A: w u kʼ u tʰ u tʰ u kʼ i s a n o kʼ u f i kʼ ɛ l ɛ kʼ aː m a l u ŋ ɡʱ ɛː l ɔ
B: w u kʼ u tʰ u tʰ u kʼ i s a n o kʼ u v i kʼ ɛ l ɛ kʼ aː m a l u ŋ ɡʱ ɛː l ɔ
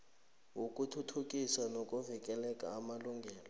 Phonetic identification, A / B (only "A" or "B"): B